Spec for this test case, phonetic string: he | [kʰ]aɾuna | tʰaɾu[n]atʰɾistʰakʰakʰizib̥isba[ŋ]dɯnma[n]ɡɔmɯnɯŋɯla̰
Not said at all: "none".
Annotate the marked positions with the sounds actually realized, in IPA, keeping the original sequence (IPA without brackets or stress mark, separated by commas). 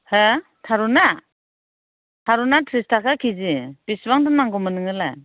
tʰ, n, ŋ, ŋ